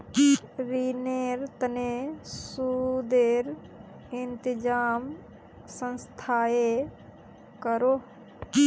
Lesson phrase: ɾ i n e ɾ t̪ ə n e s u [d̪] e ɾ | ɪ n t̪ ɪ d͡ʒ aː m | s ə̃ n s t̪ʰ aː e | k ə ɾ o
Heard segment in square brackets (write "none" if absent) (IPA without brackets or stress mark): d̪